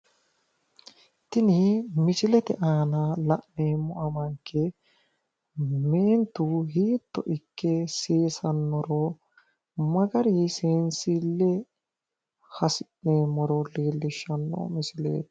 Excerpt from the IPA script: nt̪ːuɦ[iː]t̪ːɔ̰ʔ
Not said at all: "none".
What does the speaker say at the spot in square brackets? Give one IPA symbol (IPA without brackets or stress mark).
iː